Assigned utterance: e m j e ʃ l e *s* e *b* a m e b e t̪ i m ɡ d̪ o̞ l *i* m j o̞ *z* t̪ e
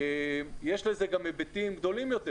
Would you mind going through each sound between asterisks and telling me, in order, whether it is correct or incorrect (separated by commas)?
incorrect, incorrect, correct, incorrect